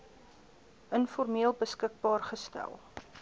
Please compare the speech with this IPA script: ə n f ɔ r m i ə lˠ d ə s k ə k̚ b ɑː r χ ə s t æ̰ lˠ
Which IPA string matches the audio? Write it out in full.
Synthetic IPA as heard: ə n f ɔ r m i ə lˠ b ə s k ə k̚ b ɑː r χ ə s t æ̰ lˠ